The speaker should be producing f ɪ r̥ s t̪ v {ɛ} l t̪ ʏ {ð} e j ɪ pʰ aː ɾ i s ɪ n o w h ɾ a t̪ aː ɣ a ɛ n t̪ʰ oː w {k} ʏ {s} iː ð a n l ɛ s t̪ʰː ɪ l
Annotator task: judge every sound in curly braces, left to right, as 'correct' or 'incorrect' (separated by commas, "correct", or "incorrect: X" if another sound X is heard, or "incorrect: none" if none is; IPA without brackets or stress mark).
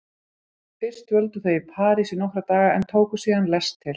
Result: incorrect: œ, incorrect: θ, correct, correct